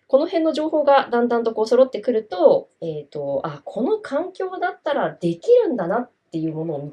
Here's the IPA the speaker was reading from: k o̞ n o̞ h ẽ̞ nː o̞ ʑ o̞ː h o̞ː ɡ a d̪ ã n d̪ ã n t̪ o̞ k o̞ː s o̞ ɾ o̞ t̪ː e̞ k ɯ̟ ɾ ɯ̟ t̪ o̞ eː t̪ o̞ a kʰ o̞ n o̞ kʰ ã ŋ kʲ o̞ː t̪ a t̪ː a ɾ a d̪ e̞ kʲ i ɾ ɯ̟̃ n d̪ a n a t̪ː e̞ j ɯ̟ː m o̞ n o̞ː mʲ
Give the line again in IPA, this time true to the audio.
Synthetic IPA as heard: k o̞ n o̞ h ẽ̞ nː o̞ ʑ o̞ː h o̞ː ɡ a d̪ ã n d̪ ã n t̪ o̞ k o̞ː s o̞ ɾ o̞ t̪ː e̞ k ɯ̟ ɾ ɯ̟ t̪ o̞ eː t̪ o̞ a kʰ o̞ n o̞ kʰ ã ŋ kʲ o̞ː d̪ a t̪ː a ɾ a d̪ e̞ kʲ i ɾ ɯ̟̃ n d̪ a n a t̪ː e̞ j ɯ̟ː m o̞ n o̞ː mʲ